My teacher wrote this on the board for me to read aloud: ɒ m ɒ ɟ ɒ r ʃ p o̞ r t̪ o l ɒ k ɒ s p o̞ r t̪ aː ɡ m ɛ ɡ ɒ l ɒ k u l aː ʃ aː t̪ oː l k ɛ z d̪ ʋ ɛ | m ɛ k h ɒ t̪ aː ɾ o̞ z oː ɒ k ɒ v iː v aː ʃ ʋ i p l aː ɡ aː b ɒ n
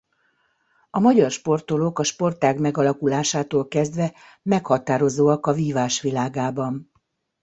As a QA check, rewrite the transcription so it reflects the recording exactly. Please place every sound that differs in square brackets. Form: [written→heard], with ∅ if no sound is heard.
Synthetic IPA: ɒ m ɒ ɟ ɒ r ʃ p o̞ r t̪ o l [ɒ→o] k ɒ [s→ʃ] p o̞ r t̪ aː ɡ m ɛ ɡ ɒ l ɒ k u l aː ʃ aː t̪ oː l k ɛ z d̪ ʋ ɛ | m ɛ k h ɒ t̪ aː ɾ o̞ z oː ɒ k ɒ v iː v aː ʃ ʋ i [p→∅] l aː ɡ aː b ɒ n